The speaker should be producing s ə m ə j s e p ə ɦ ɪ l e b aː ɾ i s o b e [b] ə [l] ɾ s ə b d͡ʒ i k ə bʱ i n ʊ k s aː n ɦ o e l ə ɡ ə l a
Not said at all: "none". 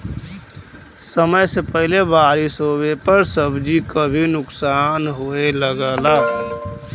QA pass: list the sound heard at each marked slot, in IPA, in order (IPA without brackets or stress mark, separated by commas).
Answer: p, none